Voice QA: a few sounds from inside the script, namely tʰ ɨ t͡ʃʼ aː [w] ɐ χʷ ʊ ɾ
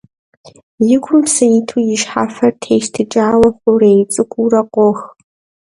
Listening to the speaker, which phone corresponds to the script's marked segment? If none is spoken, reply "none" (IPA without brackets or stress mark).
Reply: w